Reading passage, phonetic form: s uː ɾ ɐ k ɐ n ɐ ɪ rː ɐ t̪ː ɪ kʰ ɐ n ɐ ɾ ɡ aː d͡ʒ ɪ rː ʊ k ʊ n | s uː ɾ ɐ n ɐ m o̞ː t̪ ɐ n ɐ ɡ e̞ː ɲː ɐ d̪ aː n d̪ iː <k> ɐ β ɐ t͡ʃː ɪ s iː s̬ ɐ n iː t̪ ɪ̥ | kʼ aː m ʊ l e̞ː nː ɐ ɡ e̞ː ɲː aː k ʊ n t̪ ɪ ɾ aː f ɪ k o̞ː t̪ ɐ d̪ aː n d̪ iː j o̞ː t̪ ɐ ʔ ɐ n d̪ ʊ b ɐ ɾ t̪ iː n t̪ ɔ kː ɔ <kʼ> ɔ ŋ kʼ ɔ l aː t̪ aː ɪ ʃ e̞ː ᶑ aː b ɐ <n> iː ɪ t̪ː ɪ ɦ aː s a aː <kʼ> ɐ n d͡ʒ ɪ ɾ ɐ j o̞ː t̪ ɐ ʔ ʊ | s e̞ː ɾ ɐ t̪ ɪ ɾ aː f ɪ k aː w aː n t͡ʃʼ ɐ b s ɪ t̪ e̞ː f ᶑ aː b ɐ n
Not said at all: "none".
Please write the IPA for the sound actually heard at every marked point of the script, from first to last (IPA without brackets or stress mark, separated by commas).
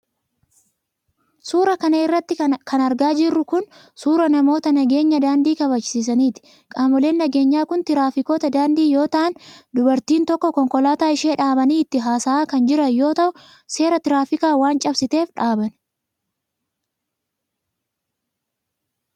k, k, n, k